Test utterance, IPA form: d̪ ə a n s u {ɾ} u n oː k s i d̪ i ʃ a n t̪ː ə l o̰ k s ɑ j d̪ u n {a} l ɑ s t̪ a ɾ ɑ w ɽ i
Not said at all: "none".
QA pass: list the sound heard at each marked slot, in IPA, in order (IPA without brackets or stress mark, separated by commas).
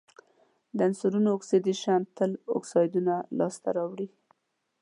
ɾ, a